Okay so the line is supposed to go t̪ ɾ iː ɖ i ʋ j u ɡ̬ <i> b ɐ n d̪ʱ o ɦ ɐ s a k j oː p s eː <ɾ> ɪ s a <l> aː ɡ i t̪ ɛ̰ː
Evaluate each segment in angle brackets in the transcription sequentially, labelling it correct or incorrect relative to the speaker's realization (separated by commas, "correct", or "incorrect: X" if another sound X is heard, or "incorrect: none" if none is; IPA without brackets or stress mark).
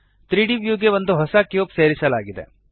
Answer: incorrect: e, correct, correct